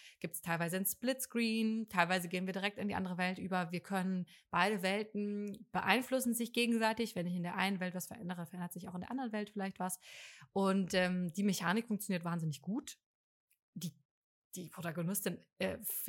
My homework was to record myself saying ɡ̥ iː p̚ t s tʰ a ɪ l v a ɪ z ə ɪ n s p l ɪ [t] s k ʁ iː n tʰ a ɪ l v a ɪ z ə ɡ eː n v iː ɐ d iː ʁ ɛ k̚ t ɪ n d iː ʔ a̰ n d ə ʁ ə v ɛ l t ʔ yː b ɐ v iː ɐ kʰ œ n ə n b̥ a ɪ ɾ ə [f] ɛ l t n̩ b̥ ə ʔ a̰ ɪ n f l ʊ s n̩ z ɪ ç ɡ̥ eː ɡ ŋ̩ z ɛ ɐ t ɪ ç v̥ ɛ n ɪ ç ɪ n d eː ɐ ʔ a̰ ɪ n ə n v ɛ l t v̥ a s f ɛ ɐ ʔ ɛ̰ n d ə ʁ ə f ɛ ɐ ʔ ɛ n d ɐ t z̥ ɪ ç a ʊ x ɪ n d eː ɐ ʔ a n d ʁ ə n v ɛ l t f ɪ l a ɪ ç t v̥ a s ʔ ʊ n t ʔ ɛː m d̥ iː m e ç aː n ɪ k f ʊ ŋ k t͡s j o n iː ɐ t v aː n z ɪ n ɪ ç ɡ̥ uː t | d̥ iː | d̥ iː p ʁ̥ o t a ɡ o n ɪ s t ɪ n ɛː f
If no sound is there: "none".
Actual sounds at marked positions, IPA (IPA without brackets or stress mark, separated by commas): t, v